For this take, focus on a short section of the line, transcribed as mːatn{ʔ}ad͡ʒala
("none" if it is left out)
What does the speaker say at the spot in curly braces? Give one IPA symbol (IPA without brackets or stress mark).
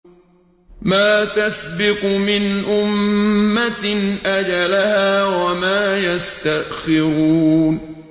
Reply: ʔ